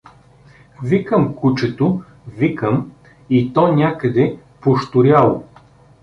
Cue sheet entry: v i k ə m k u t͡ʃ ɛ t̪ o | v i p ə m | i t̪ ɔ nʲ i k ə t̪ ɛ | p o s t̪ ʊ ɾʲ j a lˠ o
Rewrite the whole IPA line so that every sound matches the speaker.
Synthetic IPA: v i k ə m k u t͡ʃ ɛ t̪ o | v i k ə m | i t̪ ɔ nʲ a k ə d̪ ɛ | p o ʃ t̪ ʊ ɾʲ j a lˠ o